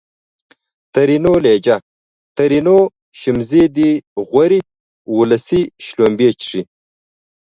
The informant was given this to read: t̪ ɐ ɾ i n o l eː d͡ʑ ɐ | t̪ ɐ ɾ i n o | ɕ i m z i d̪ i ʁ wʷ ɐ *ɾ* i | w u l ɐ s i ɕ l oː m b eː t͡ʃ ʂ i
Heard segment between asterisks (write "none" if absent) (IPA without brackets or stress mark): ɾ